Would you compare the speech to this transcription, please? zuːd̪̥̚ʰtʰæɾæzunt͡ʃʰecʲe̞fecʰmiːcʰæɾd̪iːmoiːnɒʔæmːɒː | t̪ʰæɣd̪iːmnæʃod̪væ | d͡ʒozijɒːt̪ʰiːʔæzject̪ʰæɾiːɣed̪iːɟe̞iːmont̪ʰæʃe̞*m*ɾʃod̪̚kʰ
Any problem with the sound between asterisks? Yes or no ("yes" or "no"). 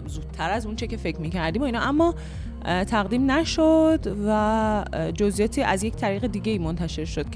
yes